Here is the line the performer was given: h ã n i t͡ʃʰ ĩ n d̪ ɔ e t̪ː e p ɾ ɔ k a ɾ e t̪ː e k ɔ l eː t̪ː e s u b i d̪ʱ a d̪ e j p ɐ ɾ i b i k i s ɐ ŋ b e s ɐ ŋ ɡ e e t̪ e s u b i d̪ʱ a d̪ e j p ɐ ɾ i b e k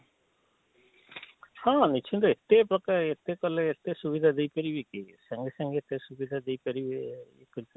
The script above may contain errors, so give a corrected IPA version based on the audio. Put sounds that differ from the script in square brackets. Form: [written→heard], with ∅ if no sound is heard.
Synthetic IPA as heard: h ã n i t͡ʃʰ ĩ n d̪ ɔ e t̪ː e p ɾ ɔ k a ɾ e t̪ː e k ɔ l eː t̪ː e s u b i d̪ʱ a d̪ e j p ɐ ɾ i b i k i s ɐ ŋ [b→ɡ] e s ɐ ŋ ɡ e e t̪ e s u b i d̪ʱ a d̪ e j p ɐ ɾ i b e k